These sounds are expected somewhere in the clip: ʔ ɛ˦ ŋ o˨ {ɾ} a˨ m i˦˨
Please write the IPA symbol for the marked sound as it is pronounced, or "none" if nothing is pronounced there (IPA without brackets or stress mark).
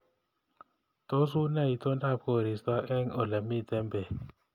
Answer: l